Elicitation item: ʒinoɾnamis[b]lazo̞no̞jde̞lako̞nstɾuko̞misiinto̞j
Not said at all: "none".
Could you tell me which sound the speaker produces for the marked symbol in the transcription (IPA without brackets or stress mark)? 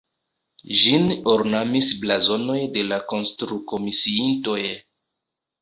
b